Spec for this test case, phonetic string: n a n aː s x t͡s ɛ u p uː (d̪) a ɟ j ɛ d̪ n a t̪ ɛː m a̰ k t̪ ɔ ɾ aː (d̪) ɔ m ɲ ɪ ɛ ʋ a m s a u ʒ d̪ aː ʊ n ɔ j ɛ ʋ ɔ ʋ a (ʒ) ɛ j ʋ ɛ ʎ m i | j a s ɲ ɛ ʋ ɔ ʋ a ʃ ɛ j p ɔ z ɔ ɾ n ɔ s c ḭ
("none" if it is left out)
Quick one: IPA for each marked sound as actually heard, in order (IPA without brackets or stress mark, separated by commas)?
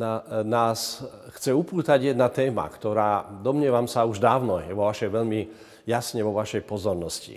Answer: t̪, d̪, ʃ